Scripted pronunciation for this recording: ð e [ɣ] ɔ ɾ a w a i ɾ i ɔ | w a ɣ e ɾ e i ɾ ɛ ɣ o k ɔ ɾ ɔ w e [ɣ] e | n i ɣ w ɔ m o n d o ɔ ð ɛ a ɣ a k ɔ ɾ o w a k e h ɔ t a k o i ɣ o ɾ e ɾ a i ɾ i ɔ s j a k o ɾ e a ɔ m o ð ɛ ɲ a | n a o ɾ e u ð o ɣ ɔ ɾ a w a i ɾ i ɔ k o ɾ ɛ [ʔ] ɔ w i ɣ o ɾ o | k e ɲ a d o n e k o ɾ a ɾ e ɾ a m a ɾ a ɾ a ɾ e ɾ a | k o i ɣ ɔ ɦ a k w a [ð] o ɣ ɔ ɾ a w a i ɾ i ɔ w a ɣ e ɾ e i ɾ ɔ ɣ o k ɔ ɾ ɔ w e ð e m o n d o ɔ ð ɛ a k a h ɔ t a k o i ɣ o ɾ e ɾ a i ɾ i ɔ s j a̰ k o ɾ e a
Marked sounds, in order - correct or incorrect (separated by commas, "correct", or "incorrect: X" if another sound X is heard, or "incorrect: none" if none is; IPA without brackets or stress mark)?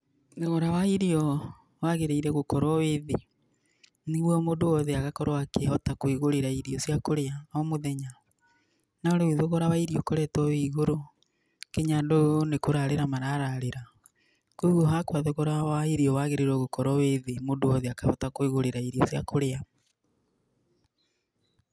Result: correct, incorrect: ð, incorrect: t, correct